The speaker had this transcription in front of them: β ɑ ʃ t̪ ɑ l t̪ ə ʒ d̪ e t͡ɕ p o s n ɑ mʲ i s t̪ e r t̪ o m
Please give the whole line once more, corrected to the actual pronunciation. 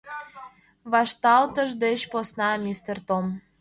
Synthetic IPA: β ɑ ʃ t̪ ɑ l t̪ ə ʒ d̪ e t͡ɕ p o s n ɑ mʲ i s t̪ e r t̪ o m